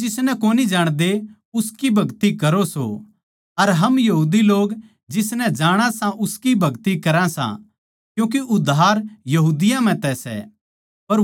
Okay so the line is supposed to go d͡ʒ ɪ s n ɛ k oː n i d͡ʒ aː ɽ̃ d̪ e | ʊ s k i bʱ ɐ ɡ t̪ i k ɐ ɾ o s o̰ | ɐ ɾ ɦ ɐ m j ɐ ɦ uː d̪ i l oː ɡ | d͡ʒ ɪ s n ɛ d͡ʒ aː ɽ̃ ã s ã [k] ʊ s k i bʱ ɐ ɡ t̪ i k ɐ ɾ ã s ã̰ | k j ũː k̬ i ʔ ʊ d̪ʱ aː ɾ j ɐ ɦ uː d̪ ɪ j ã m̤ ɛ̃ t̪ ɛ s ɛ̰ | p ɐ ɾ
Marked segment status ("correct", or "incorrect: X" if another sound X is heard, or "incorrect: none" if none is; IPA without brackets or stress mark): incorrect: ʔ